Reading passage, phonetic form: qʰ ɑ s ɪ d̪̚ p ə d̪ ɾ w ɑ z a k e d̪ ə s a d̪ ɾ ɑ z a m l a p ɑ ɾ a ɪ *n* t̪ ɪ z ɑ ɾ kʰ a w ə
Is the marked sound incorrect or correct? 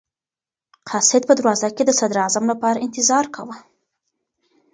correct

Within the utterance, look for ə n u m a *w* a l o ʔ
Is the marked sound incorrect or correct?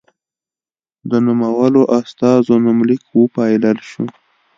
correct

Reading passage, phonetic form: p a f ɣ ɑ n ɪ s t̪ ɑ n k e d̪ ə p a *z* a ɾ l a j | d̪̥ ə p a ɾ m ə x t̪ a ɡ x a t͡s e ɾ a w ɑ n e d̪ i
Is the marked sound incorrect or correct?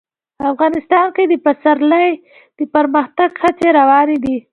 incorrect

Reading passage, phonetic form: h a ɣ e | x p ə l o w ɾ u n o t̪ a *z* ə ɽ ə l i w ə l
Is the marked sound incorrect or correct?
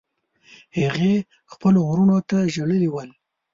incorrect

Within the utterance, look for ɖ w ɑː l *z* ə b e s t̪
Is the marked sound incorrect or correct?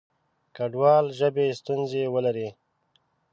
incorrect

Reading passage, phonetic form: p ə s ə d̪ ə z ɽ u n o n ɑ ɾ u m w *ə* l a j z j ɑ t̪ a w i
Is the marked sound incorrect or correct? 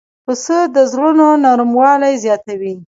incorrect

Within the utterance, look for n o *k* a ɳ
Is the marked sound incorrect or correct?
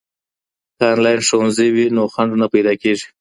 incorrect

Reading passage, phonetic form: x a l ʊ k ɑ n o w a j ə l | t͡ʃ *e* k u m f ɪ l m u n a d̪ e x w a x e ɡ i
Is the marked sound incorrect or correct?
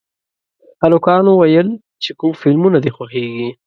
correct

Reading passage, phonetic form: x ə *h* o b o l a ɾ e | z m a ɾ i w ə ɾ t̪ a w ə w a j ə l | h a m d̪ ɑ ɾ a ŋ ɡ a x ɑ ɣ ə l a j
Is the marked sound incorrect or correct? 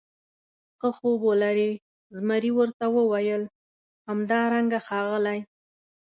incorrect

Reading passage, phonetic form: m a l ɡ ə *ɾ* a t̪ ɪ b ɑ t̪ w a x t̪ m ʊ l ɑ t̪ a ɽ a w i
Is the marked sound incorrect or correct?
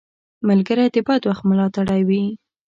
correct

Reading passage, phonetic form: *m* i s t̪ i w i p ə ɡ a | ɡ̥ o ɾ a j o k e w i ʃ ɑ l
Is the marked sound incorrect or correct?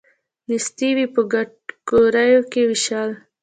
incorrect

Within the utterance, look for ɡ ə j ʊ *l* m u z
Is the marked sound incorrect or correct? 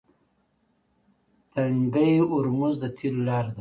incorrect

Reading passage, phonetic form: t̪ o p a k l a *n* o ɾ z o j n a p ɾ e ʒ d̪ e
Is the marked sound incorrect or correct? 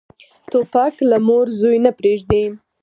incorrect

